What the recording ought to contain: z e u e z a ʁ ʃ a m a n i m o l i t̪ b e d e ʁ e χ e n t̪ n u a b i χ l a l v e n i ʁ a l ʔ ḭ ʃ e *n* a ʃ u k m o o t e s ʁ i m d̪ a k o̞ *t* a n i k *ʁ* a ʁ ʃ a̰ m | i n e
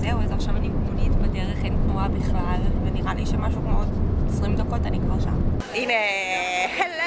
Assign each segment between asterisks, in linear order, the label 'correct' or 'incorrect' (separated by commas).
incorrect, correct, incorrect